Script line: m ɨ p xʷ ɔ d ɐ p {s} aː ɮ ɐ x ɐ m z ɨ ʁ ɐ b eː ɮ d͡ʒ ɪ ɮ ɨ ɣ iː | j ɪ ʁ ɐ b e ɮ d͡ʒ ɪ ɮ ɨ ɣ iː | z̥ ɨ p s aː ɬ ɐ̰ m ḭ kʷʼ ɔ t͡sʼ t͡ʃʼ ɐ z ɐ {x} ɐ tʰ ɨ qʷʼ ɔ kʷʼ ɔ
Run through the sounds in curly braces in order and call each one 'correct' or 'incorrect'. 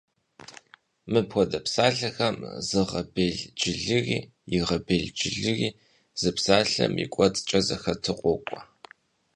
correct, correct

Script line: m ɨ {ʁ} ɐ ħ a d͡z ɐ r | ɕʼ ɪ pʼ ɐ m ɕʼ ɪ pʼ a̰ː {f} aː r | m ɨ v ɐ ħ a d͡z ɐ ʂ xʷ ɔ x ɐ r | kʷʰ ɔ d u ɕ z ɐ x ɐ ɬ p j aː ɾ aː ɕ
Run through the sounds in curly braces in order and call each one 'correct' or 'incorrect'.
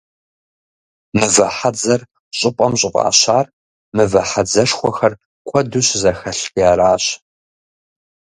incorrect, incorrect

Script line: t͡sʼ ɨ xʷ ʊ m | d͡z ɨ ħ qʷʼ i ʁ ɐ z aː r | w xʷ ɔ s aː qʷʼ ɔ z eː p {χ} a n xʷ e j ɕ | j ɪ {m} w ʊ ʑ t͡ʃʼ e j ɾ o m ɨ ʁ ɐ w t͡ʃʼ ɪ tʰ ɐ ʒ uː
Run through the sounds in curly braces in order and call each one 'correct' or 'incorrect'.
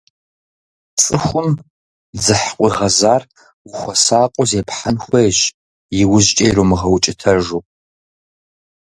incorrect, incorrect

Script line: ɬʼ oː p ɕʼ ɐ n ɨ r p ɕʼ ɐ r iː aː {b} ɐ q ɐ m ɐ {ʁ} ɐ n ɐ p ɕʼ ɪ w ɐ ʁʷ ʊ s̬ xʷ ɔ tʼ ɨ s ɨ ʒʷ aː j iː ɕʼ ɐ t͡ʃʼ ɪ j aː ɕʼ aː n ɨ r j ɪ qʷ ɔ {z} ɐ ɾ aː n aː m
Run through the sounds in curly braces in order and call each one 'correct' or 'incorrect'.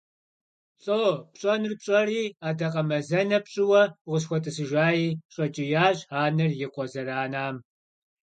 incorrect, incorrect, correct

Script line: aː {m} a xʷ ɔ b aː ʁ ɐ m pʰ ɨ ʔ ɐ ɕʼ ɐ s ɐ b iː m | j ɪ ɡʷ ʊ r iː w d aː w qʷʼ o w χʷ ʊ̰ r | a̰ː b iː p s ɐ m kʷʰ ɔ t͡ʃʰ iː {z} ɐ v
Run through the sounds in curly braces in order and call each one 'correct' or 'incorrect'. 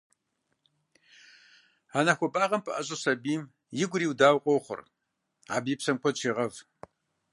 incorrect, incorrect

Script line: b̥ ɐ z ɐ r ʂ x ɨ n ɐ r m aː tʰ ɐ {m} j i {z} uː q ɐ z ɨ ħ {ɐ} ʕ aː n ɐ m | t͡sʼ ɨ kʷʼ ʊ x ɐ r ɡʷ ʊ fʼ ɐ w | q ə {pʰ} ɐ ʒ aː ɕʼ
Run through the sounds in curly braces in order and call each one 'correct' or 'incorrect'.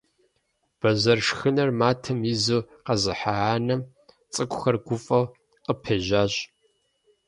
correct, correct, incorrect, correct

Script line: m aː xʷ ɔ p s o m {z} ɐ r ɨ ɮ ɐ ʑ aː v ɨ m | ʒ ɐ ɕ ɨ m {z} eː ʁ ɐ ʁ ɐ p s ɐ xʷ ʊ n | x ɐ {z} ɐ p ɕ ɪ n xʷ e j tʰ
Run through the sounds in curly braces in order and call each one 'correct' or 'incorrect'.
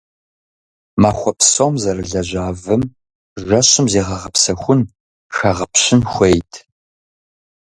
correct, correct, incorrect

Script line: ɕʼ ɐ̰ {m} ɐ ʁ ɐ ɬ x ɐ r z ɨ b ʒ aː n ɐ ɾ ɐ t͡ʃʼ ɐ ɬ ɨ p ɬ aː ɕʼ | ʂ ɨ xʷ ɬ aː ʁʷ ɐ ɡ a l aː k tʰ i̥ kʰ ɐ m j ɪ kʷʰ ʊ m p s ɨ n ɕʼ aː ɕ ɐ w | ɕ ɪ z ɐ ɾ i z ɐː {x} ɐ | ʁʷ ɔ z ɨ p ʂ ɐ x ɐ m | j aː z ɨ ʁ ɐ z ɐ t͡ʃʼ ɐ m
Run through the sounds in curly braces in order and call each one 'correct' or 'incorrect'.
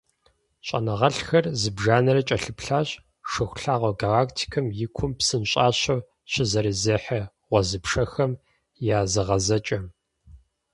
incorrect, incorrect

